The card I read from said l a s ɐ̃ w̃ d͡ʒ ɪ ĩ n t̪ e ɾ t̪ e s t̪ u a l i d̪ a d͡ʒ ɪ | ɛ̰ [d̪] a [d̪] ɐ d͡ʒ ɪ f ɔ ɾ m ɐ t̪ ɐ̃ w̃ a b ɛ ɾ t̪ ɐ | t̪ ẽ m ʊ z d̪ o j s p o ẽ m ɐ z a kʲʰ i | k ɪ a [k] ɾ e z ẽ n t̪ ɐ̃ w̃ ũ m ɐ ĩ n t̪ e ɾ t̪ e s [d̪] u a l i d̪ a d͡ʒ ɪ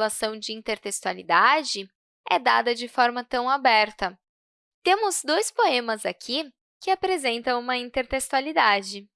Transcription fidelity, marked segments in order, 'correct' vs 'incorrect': correct, correct, incorrect: p, incorrect: t̪

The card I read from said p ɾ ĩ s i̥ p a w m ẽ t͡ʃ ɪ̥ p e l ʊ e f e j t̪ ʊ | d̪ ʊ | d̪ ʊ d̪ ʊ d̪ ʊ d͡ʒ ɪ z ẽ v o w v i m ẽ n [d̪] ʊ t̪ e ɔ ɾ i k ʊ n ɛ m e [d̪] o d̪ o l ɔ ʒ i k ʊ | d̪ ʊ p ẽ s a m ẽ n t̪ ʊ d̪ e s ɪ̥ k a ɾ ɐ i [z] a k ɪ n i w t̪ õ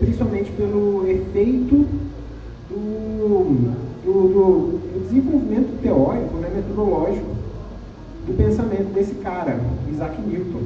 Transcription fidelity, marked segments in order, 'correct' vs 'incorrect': incorrect: t̪, incorrect: t̪, correct

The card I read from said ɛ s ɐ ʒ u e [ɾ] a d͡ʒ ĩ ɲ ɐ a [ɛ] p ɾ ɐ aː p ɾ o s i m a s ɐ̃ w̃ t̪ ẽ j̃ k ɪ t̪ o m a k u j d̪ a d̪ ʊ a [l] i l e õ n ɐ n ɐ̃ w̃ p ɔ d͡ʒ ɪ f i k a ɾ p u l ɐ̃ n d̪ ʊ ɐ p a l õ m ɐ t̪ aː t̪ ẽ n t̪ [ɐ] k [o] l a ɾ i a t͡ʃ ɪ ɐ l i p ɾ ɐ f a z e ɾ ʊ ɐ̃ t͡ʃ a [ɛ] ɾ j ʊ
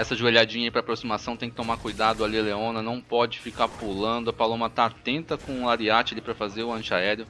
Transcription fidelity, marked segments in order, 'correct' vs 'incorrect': incorrect: ʎ, incorrect: i, correct, correct, incorrect: õ, correct

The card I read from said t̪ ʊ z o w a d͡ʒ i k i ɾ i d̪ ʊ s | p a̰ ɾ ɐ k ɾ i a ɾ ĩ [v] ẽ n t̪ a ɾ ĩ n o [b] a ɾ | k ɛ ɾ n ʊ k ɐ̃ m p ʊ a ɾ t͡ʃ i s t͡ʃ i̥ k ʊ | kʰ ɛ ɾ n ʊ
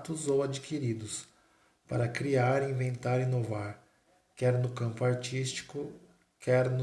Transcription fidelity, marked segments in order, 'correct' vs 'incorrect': correct, incorrect: v

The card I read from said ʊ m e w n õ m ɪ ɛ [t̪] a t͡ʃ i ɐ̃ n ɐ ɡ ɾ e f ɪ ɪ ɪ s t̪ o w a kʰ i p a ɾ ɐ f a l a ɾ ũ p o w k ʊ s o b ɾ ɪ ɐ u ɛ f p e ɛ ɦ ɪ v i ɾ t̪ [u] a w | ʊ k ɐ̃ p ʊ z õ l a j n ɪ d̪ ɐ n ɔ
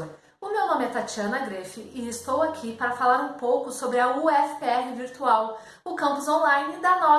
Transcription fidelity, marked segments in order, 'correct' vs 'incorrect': correct, correct

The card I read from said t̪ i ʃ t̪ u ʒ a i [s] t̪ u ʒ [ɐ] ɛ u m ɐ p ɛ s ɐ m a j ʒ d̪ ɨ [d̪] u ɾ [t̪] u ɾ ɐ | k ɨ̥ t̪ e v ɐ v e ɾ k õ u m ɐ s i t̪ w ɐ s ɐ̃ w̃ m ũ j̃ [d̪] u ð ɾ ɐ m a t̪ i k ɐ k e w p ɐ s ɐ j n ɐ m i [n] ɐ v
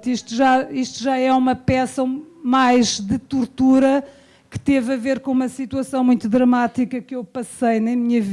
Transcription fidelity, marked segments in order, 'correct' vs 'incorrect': incorrect: ʃ, incorrect: a, incorrect: t̪, correct, incorrect: t̪, incorrect: ɲ

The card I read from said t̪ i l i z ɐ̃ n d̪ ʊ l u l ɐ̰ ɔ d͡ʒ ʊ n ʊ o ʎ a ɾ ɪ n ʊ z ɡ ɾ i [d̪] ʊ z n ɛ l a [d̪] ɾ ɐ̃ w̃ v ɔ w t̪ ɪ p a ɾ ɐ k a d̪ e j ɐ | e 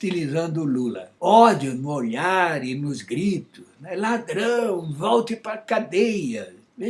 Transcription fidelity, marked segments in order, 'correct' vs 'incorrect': incorrect: t̪, correct

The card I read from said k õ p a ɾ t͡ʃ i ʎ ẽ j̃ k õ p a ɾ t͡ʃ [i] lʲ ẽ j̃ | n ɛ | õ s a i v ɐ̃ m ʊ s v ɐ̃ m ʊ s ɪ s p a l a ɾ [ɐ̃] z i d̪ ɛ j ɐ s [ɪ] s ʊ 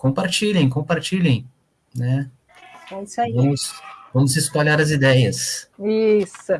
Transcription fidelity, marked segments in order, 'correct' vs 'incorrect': correct, incorrect: ɐ, incorrect: i

